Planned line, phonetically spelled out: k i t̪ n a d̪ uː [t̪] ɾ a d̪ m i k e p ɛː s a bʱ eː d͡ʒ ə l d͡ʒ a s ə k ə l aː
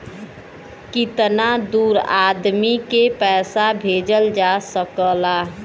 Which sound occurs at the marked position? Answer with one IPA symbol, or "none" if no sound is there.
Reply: none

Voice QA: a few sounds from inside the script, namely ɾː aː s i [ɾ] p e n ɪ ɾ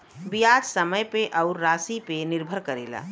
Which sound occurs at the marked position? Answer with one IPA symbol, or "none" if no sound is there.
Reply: none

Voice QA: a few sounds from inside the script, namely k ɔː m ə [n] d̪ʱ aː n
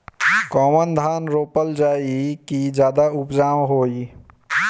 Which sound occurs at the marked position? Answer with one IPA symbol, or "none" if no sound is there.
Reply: n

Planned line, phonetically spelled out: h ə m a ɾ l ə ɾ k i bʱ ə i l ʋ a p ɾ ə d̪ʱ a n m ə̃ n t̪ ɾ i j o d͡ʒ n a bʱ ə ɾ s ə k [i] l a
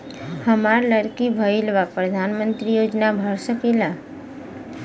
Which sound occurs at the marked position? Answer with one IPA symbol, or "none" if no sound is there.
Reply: e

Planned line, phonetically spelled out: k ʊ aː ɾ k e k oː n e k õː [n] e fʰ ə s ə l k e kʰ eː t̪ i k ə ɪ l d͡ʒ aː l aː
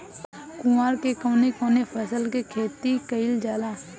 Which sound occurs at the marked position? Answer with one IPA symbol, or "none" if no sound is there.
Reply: n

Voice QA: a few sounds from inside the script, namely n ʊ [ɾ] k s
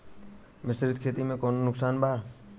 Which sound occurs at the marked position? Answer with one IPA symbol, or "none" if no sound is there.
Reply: none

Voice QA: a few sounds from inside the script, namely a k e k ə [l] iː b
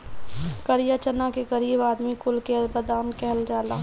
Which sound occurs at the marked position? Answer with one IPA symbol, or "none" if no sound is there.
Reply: ɾ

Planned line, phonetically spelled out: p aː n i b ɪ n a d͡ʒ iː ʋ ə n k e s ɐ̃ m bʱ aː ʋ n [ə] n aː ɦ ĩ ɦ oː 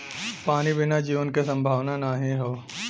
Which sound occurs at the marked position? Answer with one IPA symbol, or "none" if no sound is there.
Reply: a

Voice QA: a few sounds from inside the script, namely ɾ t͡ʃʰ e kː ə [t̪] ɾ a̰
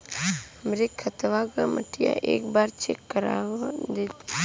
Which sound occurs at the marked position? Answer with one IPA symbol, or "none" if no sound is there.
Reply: none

